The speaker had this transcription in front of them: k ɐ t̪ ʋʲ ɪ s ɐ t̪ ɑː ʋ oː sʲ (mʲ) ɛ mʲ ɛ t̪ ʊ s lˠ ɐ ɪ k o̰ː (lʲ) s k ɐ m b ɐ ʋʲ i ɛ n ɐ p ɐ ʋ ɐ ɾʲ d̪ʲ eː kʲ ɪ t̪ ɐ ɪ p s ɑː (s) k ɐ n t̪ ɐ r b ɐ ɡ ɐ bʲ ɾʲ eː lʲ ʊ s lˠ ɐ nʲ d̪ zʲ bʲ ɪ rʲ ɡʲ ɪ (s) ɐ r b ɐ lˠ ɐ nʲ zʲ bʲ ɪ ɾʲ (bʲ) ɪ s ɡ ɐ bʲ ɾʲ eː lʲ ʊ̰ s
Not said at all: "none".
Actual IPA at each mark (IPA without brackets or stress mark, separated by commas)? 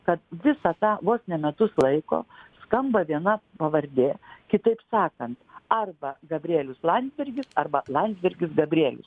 nʲ, none, none, s, ɡʲ